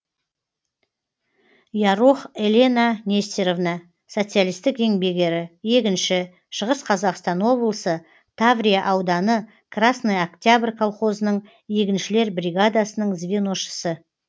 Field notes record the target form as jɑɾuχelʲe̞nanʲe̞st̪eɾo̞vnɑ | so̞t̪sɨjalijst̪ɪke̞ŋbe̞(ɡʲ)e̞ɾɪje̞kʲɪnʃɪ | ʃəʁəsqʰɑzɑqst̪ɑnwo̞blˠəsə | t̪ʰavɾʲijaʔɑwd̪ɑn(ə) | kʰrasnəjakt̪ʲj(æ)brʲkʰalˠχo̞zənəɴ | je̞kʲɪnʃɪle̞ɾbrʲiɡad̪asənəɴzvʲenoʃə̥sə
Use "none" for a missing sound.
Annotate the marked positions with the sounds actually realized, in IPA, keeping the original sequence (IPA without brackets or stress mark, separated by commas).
ɡʲ, ə, a